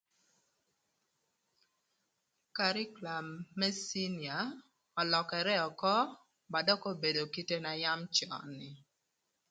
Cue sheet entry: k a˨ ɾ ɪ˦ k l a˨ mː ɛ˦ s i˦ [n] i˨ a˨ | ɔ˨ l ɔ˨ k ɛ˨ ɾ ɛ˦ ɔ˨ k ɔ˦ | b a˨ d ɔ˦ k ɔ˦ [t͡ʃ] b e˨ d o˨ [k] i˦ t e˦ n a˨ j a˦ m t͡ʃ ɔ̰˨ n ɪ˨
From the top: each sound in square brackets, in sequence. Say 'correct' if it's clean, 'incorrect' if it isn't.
correct, incorrect: none, correct

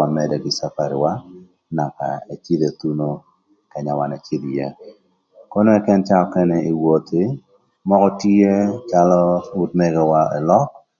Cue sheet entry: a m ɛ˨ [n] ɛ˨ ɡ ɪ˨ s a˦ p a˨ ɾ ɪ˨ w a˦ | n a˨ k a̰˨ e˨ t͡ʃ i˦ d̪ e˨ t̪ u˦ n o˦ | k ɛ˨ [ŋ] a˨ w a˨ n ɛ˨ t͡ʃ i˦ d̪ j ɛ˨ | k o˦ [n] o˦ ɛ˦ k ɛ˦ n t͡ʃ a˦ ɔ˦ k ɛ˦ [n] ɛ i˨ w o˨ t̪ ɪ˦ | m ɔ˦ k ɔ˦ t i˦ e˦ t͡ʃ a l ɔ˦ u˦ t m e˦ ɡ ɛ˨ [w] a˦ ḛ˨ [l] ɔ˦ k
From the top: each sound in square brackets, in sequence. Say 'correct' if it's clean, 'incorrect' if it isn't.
incorrect: d, incorrect: ɲ, correct, correct, correct, correct

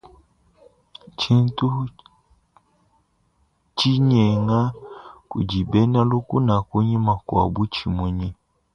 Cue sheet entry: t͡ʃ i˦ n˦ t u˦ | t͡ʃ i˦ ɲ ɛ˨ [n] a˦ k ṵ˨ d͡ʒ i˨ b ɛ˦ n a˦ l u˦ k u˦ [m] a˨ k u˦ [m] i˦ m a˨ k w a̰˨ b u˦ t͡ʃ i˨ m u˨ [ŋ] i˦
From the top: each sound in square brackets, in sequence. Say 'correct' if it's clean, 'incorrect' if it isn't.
incorrect: ŋ, incorrect: n, incorrect: ɲ, incorrect: ɲ

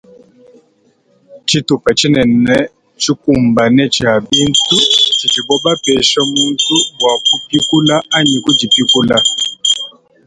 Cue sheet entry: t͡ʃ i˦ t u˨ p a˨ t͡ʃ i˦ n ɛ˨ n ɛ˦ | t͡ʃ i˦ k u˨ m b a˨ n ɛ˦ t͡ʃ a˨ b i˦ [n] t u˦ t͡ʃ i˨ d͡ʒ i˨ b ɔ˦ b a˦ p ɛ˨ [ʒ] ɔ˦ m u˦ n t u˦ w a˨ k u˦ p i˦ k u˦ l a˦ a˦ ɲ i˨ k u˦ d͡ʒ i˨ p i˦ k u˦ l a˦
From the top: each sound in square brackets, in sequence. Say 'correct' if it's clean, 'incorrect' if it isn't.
correct, incorrect: ʃ

